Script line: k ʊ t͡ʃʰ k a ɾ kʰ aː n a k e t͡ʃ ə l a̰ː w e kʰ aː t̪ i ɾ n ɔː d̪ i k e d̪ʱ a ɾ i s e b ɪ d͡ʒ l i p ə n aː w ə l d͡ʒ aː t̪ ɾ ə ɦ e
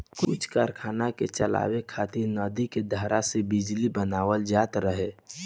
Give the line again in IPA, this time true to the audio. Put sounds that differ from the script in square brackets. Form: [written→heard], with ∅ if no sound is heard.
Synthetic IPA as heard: k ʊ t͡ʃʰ k a ɾ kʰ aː n a k e t͡ʃ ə l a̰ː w e kʰ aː t̪ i ɾ n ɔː d̪ i k e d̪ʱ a ɾ [i→a] s e b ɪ d͡ʒ l i [p→b] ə n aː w ə l d͡ʒ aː t̪ ɾ ə ɦ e